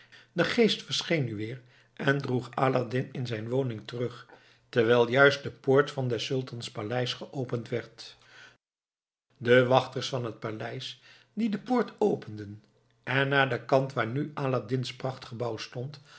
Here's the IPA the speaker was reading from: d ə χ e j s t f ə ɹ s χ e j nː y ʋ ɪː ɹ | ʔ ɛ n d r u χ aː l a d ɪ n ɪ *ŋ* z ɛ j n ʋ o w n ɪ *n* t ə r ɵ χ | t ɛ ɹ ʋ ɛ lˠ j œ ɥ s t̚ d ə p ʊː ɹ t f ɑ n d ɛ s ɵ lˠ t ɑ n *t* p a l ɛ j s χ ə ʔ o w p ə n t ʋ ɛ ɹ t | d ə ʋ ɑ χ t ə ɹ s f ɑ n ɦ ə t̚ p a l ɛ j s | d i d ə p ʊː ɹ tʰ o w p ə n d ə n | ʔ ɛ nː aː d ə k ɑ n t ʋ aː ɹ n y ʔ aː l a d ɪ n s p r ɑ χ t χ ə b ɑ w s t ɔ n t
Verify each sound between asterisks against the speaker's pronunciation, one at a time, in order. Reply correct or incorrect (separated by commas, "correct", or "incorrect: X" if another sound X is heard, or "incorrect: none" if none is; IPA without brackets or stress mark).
incorrect: n, incorrect: ŋ, incorrect: s